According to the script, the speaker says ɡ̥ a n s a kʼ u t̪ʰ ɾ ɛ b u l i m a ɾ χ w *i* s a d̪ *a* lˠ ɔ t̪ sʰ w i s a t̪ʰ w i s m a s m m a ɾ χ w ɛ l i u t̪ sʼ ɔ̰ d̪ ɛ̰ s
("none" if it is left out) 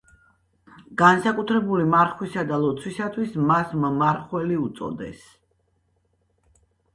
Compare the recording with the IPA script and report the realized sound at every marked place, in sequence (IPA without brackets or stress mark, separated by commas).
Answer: i, a